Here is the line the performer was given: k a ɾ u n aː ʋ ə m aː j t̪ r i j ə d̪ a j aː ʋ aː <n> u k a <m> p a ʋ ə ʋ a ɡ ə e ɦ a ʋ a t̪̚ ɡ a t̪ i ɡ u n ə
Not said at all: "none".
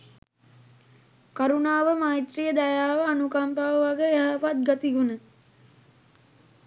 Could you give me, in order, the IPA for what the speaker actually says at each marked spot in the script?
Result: n, m

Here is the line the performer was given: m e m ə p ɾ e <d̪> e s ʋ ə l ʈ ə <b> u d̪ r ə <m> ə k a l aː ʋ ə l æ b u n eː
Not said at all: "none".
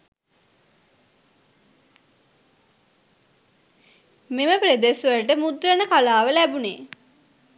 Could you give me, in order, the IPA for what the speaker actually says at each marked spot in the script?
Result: d̪, m, n

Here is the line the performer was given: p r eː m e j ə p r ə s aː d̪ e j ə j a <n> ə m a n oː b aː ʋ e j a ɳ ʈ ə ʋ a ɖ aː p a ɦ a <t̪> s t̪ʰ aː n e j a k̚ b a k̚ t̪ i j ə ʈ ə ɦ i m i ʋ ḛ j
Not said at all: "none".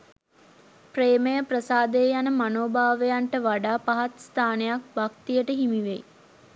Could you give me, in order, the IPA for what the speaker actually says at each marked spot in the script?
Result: n, t̪

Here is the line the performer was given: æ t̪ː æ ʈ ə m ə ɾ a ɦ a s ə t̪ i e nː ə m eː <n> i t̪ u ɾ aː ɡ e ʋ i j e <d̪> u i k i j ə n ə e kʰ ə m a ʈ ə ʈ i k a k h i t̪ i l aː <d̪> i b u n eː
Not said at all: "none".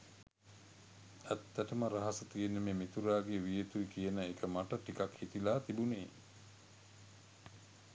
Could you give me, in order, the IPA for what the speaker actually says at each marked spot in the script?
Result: m, t̪, t̪

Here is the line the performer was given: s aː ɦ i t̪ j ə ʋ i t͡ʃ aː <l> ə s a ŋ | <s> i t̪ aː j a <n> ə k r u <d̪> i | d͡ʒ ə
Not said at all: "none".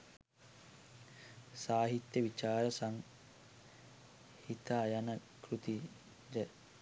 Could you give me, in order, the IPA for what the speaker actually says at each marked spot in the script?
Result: ɾ, h, n, t̪

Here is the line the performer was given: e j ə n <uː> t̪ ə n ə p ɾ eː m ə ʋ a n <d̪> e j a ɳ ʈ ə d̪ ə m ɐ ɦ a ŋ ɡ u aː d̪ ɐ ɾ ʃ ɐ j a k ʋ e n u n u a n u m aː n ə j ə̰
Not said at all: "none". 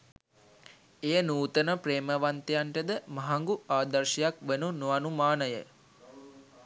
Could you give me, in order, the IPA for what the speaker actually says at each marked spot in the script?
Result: uː, t̪

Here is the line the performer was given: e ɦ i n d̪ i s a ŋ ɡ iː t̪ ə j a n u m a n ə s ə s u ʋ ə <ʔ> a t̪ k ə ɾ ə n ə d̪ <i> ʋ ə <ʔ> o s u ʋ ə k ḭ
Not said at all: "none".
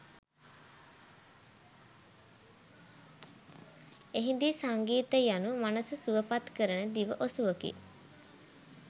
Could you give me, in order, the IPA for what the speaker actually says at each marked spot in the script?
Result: p, i, ʔ

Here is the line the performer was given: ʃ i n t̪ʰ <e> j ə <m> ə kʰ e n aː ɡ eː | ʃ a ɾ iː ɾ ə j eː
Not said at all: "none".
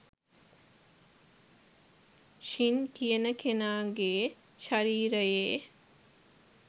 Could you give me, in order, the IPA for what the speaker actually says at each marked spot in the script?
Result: i, n

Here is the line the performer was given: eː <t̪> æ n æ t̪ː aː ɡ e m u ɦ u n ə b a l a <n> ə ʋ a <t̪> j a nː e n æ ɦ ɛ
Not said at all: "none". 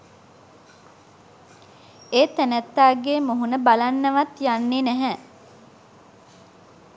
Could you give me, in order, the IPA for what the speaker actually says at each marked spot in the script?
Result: t̪, nː, t̪

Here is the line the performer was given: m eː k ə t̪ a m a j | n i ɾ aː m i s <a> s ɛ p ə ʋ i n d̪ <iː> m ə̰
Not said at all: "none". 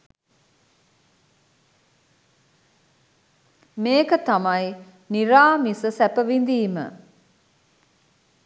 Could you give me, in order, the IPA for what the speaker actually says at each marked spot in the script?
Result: ə, iː

